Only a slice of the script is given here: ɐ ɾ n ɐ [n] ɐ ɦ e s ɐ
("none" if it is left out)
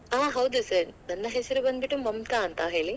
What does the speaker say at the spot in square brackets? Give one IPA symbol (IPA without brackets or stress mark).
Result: nː